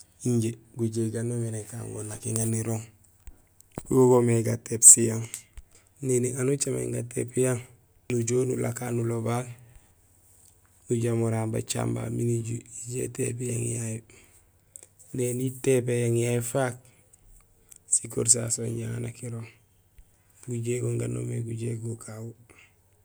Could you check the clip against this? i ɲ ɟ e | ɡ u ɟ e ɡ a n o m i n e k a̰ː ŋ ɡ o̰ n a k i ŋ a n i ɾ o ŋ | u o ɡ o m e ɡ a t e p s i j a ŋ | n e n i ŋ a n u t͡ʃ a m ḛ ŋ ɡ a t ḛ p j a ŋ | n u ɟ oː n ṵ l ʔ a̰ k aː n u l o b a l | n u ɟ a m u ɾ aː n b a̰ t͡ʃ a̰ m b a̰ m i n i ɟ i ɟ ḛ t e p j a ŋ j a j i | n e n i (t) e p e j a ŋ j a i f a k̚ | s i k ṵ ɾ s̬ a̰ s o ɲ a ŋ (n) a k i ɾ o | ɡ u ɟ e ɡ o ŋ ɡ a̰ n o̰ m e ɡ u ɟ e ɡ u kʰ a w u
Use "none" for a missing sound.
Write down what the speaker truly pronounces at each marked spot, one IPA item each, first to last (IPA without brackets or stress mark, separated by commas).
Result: t, n